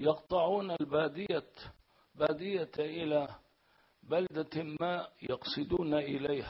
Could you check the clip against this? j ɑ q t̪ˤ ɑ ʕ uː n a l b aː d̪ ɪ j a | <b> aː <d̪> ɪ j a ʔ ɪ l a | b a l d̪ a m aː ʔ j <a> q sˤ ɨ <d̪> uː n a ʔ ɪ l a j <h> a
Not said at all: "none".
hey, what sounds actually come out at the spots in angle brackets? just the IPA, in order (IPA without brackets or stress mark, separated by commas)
b, d̪, ɑ, d̪, h